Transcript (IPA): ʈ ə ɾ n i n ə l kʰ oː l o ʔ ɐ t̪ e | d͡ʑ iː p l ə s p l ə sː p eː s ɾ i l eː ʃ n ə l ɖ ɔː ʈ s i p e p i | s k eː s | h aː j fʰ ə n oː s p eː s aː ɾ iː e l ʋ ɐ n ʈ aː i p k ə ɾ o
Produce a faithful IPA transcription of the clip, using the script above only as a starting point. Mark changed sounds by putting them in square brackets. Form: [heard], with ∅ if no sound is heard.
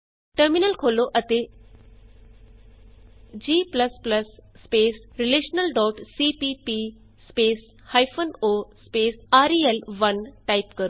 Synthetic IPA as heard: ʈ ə ɾ [m] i n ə l kʰ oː l o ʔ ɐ t̪ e | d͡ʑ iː p l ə s p l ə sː p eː s ɾ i l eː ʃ n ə l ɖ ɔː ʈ s i p [i] p i | s [p] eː s | h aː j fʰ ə n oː s p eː s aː ɾ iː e l ʋ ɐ n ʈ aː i p k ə ɾ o